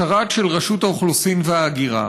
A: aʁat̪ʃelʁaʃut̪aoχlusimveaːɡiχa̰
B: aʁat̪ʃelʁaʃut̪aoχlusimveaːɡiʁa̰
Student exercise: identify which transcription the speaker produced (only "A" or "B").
B